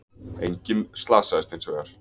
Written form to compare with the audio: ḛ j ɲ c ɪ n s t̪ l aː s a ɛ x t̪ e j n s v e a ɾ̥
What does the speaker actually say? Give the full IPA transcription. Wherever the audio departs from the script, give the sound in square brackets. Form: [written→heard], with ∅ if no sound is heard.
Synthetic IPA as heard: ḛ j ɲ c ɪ n s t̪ l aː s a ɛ [x→s] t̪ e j n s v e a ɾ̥